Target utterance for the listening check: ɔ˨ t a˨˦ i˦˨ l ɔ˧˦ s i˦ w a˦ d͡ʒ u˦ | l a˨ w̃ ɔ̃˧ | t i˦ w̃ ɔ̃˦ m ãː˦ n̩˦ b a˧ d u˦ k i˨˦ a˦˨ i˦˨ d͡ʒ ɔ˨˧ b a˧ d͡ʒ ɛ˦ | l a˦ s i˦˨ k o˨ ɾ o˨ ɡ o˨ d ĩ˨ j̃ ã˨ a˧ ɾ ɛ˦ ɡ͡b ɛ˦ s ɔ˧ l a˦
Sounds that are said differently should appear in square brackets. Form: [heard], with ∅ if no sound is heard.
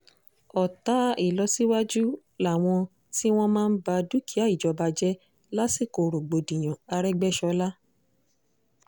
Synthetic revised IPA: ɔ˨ t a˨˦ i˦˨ l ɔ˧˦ s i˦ w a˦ d͡ʒ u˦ | l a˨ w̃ ɔ̃˧ | t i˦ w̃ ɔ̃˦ m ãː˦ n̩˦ b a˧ d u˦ k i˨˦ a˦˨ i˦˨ d͡ʒ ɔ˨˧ b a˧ d͡ʒ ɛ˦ | l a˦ s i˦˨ k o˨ ɾ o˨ [ɡ͡b] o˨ d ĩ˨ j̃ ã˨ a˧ ɾ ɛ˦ ɡ͡b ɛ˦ [ʃ] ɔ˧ l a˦

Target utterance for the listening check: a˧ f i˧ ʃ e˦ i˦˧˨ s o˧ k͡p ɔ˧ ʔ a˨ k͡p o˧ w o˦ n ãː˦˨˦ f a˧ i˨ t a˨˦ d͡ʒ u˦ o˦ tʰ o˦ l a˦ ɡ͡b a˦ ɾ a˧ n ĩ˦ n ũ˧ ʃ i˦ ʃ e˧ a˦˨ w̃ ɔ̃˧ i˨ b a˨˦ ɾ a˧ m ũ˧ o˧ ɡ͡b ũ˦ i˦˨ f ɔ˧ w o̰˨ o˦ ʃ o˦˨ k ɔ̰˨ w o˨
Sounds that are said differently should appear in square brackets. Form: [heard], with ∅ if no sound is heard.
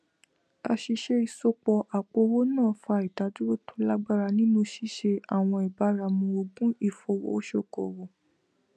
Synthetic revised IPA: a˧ [ʃ] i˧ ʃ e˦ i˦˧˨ s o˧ k͡p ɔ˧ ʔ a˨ k͡p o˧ w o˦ n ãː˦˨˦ f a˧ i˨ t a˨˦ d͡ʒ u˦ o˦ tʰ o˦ l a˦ ɡ͡b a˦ ɾ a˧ n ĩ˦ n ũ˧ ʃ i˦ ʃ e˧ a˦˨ w̃ ɔ̃˧ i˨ b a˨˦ ɾ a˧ m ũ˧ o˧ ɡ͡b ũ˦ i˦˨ f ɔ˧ w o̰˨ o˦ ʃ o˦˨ k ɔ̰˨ w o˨

